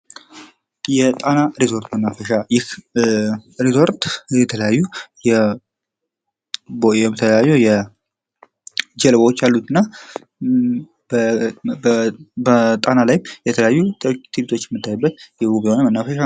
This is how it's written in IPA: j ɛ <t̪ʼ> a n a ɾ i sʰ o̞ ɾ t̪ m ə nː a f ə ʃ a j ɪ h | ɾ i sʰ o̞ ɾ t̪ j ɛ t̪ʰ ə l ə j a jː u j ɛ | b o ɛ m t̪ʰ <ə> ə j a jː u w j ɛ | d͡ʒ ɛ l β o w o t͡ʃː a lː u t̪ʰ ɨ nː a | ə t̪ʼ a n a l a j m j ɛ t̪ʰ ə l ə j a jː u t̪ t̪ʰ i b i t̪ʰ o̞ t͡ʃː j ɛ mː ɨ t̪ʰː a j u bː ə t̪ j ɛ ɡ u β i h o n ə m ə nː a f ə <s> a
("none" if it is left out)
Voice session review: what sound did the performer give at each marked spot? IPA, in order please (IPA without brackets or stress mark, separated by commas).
t̪ʼ, ə, ʃ